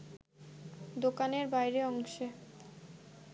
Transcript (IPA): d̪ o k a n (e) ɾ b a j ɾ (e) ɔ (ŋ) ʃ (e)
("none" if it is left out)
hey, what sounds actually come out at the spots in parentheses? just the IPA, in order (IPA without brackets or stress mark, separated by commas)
e, e, ŋ, e